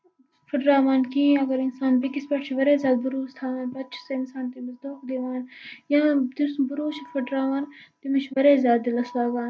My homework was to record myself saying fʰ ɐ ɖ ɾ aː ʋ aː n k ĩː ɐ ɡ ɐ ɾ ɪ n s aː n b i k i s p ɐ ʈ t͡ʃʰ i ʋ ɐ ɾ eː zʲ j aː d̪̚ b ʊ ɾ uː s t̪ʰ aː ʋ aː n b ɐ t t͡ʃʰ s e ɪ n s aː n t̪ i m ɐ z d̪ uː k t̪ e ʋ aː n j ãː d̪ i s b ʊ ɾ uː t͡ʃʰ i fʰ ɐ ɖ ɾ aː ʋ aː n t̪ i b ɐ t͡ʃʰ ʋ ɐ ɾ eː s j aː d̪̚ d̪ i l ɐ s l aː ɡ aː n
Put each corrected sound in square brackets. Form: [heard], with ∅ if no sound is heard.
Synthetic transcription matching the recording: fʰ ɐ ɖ ɾ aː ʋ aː n k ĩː ɐ ɡ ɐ ɾ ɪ n s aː n b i k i s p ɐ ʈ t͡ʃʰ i ʋ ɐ ɾ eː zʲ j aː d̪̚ b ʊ ɾ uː s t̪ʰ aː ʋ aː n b ɐ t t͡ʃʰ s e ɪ n s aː n t̪ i m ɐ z d̪ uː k [d̪] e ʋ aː n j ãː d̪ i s b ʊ ɾ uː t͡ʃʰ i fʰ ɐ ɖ ɾ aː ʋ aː n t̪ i [m] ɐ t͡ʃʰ ʋ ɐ ɾ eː [z] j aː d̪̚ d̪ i l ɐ s l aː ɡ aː n

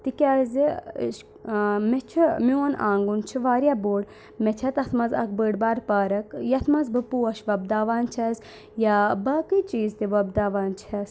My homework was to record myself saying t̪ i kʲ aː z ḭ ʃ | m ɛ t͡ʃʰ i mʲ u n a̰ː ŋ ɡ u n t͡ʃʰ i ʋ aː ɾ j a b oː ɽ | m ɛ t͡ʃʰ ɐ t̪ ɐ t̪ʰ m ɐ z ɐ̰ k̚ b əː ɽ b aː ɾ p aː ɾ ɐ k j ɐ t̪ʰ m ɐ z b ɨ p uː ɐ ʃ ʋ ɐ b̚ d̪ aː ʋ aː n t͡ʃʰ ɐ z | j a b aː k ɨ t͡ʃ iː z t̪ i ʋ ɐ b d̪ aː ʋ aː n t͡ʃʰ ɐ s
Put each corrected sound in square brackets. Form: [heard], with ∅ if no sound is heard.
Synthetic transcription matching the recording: t̪ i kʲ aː z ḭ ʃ | m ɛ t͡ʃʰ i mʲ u n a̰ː ŋ ɡ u n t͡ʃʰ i ʋ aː ɾ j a b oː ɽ | m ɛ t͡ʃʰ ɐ t̪ ɐ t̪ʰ m ɐ z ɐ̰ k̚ b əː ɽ b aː ɾ p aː ɾ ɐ k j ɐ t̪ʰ m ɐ z b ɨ p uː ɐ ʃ ʋ ɐ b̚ d̪ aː ʋ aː n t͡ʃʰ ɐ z | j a b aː k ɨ t͡ʃ iː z t̪ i ʋ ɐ b d̪ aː ʋ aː n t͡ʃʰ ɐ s

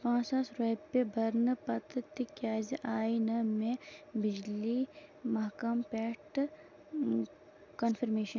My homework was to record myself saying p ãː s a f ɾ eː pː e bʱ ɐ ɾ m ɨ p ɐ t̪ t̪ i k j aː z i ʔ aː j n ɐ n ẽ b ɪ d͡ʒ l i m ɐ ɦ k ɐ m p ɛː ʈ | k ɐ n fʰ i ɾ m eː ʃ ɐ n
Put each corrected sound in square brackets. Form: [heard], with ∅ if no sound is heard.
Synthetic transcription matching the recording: p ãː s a [s] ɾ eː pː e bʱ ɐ ɾ [n] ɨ p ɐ t̪ t̪ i k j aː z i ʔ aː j n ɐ [m] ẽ b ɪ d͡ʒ l i m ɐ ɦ k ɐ m p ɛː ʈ | k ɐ n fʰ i ɾ m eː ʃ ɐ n

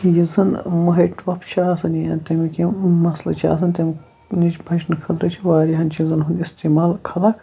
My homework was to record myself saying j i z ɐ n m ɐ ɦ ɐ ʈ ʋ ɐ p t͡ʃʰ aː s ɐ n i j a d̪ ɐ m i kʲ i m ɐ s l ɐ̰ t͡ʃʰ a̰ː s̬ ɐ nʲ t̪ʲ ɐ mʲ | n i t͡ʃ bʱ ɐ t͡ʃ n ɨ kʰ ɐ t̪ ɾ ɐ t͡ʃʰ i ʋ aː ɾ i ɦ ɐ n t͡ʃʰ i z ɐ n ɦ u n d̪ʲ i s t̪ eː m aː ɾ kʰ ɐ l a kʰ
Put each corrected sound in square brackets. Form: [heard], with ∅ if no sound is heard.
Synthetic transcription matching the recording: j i z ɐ n m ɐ ɦ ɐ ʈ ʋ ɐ p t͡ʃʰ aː s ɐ n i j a [t̪] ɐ m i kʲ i m ɐ s l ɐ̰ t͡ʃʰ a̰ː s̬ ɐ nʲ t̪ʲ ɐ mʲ | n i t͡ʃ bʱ ɐ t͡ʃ n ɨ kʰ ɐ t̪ ɾ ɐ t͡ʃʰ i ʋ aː ɾ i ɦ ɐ n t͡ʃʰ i z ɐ n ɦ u n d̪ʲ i s t̪ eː m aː [l] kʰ ɐ l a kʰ

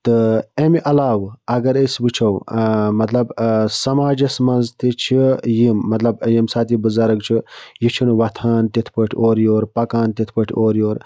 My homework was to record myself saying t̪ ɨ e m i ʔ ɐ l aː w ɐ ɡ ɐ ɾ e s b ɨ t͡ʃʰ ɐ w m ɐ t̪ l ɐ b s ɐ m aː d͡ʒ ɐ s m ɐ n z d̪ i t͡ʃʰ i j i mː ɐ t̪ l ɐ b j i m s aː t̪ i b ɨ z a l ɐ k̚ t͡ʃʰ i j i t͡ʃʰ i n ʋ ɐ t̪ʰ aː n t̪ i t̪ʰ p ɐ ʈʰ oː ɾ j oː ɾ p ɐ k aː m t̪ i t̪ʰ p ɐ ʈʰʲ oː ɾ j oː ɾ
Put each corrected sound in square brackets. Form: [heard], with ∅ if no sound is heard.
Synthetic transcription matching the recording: t̪ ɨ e m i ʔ ɐ l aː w ɐ ɡ ɐ ɾ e s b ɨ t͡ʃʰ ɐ w m ɐ t̪ l ɐ b s ɐ m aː d͡ʒ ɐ s m ɐ n z [t̪] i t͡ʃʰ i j i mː ɐ t̪ l ɐ b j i m s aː t̪ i b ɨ z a [ɾ] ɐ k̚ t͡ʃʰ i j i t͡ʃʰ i n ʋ ɐ t̪ʰ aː n t̪ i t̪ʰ p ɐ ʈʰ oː ɾ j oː ɾ p ɐ k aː [n] t̪ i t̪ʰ p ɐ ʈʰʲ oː ɾ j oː ɾ

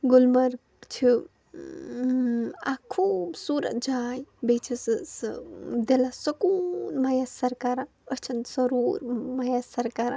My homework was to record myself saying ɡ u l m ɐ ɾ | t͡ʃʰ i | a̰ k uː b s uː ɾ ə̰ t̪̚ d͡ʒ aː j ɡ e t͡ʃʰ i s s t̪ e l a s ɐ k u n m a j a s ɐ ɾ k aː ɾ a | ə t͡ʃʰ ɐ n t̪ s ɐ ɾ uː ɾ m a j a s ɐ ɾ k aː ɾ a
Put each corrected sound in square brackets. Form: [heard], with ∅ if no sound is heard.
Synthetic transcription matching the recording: ɡ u l m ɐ ɾ | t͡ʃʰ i | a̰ [kʰ] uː b s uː ɾ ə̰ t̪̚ d͡ʒ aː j [b] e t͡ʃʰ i s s [d̪] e l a s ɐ k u n m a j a s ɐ ɾ k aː ɾ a | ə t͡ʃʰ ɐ n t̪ s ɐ ɾ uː ɾ m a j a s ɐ ɾ k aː ɾ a

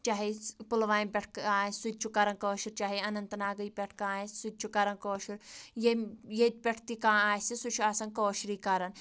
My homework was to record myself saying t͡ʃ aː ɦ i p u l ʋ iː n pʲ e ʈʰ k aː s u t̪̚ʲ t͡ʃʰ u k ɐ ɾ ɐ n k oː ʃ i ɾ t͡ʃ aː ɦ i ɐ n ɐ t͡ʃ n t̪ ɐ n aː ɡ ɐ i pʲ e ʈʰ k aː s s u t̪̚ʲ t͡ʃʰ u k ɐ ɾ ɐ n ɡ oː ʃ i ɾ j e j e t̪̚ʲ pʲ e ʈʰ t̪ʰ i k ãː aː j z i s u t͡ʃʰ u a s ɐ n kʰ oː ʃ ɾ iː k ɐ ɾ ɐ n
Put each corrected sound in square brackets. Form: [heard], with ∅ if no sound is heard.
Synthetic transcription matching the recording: t͡ʃ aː ɦ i p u l ʋ [aː] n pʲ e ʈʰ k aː s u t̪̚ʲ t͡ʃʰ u k ɐ ɾ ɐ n k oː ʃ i ɾ t͡ʃ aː ɦ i ɐ n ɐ [∅] n t̪ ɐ n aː ɡ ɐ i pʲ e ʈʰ k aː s s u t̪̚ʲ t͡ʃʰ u k ɐ ɾ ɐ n [k] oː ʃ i ɾ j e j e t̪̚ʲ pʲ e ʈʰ [t̪] i k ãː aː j [s] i s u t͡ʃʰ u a s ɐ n [k] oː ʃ ɾ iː k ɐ ɾ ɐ n

